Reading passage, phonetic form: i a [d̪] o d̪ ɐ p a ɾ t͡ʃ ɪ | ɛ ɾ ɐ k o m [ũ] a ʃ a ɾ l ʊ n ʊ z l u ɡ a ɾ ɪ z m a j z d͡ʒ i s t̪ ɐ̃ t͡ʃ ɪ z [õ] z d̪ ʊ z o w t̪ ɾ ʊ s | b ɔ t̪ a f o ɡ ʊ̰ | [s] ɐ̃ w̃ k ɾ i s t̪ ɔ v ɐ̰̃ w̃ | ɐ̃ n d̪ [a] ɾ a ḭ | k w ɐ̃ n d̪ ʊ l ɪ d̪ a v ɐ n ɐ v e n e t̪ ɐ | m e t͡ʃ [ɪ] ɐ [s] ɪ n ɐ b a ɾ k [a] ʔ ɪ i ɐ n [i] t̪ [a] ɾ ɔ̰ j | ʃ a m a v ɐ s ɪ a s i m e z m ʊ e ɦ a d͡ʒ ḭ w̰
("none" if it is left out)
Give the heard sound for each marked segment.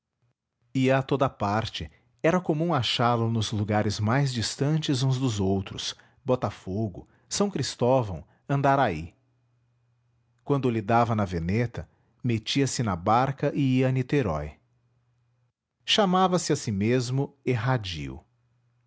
t̪, ũ, ũ, s, a, i, s, ɐ, i, e

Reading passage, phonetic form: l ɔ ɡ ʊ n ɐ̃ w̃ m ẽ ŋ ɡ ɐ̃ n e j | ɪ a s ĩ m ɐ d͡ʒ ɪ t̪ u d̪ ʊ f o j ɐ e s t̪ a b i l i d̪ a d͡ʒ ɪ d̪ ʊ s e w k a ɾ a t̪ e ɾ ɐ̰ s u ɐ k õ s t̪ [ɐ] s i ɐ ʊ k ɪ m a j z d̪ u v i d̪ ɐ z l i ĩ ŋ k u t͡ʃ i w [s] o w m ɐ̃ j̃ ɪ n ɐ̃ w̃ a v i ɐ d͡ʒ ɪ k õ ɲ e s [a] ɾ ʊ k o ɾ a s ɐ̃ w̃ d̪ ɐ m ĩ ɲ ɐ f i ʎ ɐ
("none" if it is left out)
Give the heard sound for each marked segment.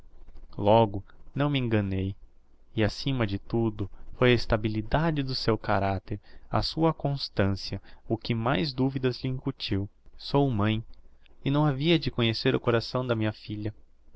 ɐ̃, s, e

